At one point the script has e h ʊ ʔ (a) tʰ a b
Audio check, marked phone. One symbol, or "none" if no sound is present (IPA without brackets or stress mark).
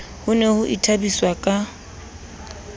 i